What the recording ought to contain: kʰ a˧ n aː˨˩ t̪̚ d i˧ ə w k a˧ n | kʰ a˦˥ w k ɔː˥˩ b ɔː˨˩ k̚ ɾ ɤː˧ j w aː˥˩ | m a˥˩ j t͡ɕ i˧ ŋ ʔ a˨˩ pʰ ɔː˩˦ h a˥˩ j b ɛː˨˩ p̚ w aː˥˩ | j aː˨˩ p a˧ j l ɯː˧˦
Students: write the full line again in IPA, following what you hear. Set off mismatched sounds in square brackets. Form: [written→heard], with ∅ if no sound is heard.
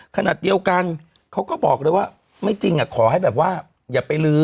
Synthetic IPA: kʰ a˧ n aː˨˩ t̪̚ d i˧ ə w k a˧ n | kʰ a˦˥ w k ɔː˥˩ b ɔː˨˩ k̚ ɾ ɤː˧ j w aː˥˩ | m a˥˩ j t͡ɕ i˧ ŋ ʔ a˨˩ [pʰ→kʰ] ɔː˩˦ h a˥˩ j b ɛː˨˩ p̚ w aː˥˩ | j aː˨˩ p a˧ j l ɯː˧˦

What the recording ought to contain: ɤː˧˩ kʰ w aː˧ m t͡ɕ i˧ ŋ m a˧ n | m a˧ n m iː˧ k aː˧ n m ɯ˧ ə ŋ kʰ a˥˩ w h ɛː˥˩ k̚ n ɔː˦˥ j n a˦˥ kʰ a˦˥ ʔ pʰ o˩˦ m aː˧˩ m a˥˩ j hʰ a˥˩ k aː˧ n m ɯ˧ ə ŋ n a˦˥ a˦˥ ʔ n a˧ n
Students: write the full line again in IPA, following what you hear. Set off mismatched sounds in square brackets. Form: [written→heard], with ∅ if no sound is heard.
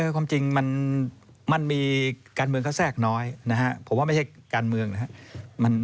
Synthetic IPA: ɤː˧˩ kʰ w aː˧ m t͡ɕ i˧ ŋ m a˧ n | m a˧ n m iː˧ k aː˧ n m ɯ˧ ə ŋ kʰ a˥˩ w [h→s] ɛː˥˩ k̚ n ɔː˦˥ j n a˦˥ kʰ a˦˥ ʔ pʰ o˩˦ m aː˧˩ m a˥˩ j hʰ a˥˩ k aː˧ n m ɯ˧ ə ŋ n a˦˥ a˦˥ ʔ [n→m] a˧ n

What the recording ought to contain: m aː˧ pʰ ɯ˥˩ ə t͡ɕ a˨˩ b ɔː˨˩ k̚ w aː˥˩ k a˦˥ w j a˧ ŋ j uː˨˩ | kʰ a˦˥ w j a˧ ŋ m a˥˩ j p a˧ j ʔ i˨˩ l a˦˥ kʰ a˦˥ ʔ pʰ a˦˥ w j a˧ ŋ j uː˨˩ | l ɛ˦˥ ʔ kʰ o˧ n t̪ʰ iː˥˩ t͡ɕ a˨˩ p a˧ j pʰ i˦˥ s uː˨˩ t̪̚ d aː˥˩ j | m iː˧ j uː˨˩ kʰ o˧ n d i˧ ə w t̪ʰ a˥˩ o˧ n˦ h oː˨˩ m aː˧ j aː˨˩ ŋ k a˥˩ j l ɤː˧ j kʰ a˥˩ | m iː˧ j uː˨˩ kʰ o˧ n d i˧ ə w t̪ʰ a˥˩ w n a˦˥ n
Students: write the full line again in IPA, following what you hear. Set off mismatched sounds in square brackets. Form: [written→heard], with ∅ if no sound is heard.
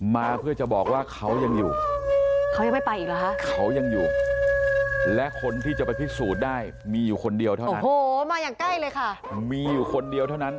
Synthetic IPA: m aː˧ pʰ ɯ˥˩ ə t͡ɕ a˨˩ b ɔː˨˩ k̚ w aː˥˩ [k→kʰ] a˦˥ w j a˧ ŋ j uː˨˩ | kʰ a˦˥ w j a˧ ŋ m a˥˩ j p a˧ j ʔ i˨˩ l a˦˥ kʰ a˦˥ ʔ [pʰ→kʰ] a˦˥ w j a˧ ŋ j uː˨˩ | l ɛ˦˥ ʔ kʰ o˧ n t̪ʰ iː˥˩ t͡ɕ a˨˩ p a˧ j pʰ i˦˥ s uː˨˩ t̪̚ d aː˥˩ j | m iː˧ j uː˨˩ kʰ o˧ n d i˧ ə w t̪ʰ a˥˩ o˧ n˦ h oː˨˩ m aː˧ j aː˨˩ ŋ k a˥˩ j l ɤː˧ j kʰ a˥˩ | m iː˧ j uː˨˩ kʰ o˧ n d i˧ ə w t̪ʰ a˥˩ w n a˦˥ n

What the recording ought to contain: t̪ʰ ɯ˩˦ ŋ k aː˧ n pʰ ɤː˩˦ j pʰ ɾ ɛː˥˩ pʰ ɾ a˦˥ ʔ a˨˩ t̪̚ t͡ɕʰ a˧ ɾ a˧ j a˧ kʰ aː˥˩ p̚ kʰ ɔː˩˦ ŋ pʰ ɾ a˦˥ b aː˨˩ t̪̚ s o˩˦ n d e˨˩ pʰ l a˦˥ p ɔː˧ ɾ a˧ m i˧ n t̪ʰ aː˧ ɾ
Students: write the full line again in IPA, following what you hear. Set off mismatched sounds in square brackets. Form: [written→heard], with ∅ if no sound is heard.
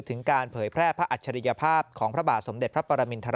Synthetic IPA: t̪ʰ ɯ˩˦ ŋ k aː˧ n pʰ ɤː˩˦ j pʰ ɾ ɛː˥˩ pʰ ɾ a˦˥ ʔ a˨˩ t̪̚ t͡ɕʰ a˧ ɾ [a˧→i˧] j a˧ [kʰ→pʰ] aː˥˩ p̚ kʰ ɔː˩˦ ŋ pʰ ɾ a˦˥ b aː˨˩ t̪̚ s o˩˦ [n→m] d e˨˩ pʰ [l→ɾ] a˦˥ p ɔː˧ ɾ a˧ m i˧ n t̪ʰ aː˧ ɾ

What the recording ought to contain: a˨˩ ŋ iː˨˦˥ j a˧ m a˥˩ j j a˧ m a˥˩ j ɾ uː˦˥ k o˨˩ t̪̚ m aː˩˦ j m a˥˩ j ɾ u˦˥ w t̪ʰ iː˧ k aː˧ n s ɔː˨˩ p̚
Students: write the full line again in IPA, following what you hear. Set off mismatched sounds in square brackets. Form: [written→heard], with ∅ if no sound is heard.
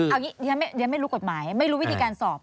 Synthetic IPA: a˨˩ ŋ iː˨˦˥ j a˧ m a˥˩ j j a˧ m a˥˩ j ɾ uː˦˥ k o˨˩ t̪̚ m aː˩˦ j m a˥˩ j ɾ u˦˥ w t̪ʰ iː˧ k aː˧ n s ɔː˨˩ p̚

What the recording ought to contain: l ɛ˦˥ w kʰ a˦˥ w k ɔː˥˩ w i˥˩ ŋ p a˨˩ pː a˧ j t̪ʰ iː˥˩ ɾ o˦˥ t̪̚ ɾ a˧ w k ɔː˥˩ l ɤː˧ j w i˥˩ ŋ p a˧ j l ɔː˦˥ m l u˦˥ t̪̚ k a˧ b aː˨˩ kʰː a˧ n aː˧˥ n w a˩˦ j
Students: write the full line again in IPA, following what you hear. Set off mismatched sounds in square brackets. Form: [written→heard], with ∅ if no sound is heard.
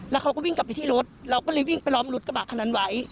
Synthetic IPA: l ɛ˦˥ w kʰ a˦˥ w k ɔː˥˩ w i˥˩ ŋ [p→k] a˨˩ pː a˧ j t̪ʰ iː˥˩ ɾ o˦˥ t̪̚ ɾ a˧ w k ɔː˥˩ l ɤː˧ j w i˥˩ ŋ p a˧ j l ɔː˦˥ m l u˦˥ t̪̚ k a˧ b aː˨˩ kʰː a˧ n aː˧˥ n w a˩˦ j

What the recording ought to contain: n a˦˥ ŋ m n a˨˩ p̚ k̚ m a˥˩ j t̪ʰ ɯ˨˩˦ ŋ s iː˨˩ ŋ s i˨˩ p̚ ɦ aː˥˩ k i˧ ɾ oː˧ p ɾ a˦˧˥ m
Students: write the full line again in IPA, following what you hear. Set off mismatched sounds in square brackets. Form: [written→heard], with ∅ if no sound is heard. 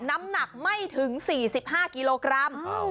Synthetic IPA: n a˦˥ [ŋ→∅] m n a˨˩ [p̚→∅] k̚ m a˥˩ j t̪ʰ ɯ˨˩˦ ŋ s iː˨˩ [ŋ→∅] s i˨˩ p̚ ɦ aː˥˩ k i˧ [ɾ→l] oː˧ [p→k] ɾ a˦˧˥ m

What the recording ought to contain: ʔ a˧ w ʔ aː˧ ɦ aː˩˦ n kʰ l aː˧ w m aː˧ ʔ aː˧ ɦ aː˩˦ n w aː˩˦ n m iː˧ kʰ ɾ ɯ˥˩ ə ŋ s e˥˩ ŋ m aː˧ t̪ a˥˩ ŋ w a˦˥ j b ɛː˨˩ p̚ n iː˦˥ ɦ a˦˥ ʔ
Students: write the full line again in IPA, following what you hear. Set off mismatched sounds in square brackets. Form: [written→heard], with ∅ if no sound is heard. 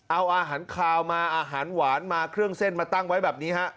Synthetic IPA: ʔ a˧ w ʔ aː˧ ɦ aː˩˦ n kʰ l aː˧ w m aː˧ ʔ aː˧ ɦ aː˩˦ n w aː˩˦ n m [iː˧→aː˧] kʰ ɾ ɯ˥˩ ə ŋ s e˥˩ [ŋ→n] m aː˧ t̪ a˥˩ ŋ w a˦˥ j b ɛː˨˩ p̚ n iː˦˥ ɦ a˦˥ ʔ

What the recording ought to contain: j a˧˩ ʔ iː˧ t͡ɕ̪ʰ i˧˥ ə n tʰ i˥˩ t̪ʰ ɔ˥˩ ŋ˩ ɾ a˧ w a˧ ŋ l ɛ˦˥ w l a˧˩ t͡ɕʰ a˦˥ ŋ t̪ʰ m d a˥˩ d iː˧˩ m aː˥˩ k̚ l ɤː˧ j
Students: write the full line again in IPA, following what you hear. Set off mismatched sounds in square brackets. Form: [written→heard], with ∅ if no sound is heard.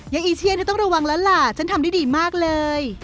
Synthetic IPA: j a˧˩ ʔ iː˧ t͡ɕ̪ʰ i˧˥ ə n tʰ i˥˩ [t̪ʰ→t̪] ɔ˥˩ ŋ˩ ɾ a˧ w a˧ ŋ l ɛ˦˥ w l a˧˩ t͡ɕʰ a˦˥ [ŋ→n] t̪ʰ m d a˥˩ d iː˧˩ m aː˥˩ k̚ l ɤː˧ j

